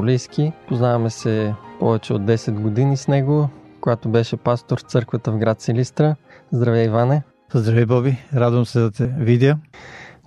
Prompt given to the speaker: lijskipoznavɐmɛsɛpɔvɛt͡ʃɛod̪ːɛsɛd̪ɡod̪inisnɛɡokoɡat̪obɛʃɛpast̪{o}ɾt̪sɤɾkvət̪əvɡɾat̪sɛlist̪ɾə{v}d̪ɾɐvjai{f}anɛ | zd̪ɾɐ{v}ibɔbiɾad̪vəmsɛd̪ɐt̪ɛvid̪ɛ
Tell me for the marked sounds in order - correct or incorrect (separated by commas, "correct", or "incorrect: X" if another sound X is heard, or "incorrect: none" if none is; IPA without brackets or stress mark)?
correct, incorrect: z, incorrect: v, correct